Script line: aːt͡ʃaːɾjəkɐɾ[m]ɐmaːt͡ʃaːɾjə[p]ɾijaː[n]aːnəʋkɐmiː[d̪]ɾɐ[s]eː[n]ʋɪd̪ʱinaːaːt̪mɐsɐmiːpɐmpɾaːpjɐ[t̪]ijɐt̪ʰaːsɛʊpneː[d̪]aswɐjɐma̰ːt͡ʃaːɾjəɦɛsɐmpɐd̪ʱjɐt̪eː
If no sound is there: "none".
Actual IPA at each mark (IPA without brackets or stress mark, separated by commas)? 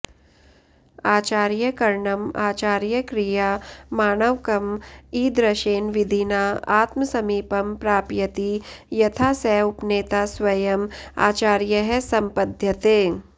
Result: ɳ, k, m, d̪, ʃ, n, t̪, t̪